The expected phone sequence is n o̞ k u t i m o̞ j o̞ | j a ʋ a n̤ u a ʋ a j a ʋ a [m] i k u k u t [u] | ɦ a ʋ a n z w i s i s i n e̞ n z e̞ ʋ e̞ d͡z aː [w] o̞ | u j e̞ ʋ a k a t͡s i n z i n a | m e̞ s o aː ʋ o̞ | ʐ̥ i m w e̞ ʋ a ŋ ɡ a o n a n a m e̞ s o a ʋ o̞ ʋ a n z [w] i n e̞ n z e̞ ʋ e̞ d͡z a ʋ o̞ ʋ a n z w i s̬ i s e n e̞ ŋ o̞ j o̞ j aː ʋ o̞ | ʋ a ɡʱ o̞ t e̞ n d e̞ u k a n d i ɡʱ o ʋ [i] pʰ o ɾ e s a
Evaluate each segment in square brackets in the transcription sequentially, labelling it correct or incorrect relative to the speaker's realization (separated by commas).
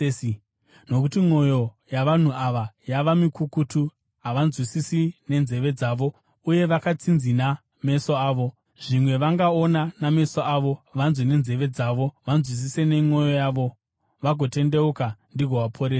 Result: correct, correct, incorrect, correct, incorrect